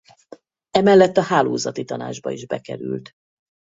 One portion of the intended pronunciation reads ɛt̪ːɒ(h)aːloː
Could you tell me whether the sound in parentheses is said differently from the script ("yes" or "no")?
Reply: no